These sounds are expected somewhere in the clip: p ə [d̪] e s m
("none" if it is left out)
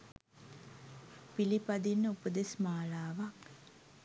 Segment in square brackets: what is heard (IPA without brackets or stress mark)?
d̪